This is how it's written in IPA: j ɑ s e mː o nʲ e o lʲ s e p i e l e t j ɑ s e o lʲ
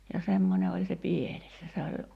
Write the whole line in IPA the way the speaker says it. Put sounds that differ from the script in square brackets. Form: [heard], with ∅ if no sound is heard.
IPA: j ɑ s e mː o nʲ e o lʲ s e p i e l e [s] j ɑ s e o lʲ